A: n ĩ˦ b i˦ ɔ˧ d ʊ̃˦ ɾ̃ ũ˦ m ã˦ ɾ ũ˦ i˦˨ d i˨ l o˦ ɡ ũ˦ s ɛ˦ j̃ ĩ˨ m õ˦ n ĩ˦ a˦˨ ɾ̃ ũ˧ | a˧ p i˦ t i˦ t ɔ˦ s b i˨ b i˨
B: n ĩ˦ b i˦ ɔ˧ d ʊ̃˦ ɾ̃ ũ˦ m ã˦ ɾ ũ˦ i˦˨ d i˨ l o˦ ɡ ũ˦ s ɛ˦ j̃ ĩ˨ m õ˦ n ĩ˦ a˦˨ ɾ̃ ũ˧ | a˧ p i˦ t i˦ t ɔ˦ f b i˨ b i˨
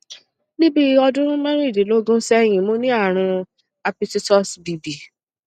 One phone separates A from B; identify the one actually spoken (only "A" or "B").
A